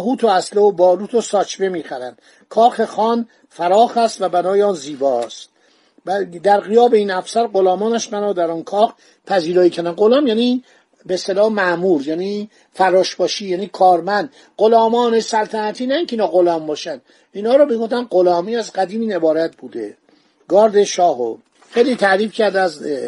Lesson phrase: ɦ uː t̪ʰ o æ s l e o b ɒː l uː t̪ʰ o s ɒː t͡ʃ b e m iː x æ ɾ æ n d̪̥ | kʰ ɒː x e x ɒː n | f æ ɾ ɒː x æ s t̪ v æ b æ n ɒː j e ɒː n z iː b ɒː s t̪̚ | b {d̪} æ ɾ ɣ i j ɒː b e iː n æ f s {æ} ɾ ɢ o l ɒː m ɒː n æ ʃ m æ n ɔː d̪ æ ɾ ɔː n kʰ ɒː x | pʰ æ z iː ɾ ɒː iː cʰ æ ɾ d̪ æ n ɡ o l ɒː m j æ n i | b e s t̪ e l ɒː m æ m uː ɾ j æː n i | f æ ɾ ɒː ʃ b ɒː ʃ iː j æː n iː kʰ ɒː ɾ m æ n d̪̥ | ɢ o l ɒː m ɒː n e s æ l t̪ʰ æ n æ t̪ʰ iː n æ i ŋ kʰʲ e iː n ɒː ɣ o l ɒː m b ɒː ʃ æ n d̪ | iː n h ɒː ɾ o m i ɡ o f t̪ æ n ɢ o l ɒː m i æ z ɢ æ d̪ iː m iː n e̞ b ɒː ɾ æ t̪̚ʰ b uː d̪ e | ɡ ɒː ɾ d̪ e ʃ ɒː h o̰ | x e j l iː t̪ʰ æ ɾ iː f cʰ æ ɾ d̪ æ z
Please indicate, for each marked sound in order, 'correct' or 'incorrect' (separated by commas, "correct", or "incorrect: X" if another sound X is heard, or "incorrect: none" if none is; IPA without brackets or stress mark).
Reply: correct, correct